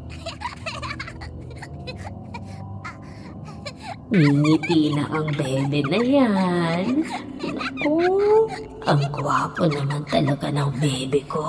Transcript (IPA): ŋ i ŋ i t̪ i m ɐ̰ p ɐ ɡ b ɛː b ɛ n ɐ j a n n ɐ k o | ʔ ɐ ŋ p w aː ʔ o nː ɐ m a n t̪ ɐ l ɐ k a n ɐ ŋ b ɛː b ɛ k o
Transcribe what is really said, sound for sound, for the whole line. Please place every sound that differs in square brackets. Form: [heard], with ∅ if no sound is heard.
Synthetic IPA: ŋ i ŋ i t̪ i [n] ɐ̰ [ʔ] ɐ [ŋ] b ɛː b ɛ n ɐ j a n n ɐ k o | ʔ ɐ ŋ [k] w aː [p] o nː ɐ m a n t̪ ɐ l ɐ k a n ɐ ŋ b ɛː b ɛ k o